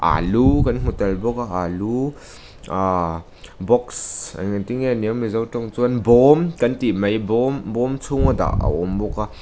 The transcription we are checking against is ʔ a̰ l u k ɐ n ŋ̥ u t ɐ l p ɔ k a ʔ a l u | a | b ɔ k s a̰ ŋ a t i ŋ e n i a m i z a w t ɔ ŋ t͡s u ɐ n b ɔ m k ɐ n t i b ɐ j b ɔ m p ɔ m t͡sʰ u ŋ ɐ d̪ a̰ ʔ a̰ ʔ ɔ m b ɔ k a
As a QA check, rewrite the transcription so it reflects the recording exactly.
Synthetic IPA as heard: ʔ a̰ l u k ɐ n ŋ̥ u t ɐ l b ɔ k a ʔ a l u | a | b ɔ k s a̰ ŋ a t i ŋ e n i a m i z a w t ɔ ŋ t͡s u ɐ n b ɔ m k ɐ n t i m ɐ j b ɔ m b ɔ m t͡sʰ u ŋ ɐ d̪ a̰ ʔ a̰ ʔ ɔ m b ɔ k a